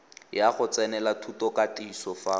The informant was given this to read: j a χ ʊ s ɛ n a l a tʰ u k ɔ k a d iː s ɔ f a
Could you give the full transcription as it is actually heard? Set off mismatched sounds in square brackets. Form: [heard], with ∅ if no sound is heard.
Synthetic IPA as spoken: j a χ ʊ [t͡s] ɛ n [ɛ] l a tʰ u [t] ɔ k a [t] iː s ɔ f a